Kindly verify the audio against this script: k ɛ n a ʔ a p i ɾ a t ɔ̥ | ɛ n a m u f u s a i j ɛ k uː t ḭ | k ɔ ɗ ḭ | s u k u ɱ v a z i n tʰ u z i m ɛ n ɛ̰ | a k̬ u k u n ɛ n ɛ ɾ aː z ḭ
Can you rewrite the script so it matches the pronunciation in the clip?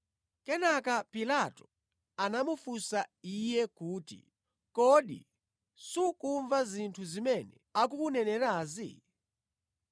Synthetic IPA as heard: k ɛ n a k a p i l a t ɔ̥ | a n a m u f u s a i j ɛ k uː t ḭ | k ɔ ɗ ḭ | s u k u ɱ v a z i n tʰ u z i m ɛ n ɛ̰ | a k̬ u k u n ɛ n ɛ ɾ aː z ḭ